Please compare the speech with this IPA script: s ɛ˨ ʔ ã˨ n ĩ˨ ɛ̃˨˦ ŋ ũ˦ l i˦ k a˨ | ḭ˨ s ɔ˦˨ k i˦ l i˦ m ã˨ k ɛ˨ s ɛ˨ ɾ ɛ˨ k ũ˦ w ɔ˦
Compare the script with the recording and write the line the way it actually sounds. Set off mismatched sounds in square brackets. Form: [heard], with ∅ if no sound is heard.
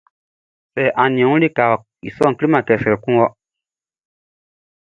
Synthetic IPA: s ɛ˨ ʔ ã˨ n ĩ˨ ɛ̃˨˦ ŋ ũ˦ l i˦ k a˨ | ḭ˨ s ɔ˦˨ k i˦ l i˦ m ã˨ k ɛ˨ s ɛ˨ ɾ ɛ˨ k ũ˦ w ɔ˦